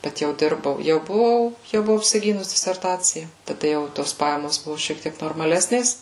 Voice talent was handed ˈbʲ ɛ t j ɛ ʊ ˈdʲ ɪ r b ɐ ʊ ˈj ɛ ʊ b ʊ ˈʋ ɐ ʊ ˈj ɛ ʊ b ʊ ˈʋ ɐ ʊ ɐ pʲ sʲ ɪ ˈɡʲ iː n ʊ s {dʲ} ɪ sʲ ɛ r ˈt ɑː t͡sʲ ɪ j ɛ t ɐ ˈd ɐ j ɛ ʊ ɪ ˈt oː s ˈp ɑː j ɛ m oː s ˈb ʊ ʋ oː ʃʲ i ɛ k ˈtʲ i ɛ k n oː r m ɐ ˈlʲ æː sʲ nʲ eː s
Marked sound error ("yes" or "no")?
no